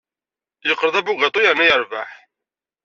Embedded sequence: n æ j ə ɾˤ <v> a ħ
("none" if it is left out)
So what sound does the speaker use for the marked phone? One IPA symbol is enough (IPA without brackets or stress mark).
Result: v